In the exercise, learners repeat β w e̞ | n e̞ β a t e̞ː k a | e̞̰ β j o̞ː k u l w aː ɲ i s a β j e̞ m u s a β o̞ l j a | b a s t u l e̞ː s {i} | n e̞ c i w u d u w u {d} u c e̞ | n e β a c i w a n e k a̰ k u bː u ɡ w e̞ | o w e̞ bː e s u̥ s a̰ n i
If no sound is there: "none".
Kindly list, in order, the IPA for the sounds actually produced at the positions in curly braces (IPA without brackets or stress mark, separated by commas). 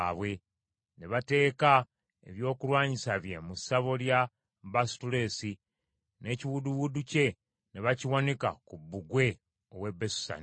i, d